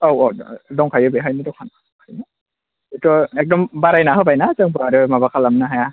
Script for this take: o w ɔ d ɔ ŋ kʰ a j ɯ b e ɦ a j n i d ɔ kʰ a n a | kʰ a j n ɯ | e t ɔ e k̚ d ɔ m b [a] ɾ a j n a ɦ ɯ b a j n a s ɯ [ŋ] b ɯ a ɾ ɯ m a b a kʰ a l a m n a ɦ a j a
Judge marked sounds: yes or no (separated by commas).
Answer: yes, yes